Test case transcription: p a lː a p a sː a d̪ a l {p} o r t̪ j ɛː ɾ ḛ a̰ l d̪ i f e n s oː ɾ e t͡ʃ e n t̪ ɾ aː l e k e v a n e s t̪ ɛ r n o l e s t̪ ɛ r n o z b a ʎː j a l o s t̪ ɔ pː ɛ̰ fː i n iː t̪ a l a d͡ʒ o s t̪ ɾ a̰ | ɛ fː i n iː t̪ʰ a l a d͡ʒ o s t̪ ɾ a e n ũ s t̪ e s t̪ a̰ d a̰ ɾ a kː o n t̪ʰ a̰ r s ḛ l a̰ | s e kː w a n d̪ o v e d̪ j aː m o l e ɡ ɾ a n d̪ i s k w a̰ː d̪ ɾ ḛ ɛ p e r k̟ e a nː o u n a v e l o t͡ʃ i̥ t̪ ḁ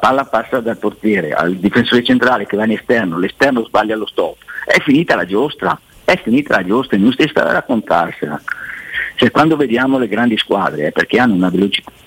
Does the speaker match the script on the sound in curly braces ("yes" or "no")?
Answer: yes